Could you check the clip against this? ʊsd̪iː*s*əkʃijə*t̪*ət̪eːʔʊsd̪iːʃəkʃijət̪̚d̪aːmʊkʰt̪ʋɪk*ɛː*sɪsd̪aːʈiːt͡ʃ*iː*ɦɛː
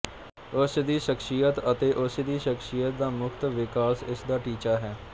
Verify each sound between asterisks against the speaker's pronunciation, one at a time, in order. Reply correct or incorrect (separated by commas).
incorrect, correct, incorrect, incorrect